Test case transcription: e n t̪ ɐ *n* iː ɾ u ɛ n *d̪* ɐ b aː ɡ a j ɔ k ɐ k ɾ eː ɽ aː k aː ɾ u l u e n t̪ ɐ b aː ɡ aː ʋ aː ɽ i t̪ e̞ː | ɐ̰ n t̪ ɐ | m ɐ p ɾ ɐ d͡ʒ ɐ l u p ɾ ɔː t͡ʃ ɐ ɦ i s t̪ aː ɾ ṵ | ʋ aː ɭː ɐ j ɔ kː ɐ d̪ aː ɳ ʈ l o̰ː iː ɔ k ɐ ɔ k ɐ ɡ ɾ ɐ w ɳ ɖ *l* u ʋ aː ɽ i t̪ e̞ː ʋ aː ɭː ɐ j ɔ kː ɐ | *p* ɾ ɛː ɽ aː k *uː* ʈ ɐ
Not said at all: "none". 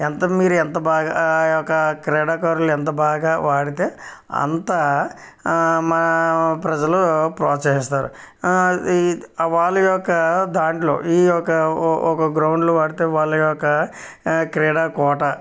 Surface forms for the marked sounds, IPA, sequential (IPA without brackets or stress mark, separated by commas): m, t̪, l, k, ɔː